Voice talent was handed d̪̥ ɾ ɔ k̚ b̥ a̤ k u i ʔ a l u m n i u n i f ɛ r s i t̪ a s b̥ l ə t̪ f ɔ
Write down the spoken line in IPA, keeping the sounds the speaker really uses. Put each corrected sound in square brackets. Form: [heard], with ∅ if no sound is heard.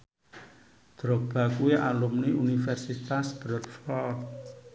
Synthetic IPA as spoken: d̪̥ ɾ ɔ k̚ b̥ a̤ k u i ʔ a l u m n i u n i f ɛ r s i t̪ a s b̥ [ɾ] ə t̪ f ɔ